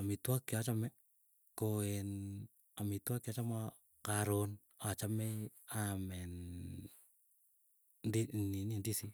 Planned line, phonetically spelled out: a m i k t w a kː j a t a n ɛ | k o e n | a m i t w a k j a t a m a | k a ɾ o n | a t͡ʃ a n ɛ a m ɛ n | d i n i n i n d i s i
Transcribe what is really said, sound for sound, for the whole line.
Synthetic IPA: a m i t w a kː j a t͡ʃ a m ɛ | k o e n | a m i t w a k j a t͡ʃ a m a | k a ɾ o n | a t͡ʃ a m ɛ a m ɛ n | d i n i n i n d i s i